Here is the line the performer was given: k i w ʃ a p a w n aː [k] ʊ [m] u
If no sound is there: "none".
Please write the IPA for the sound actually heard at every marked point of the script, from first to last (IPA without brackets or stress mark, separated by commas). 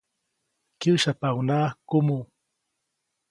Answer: k, m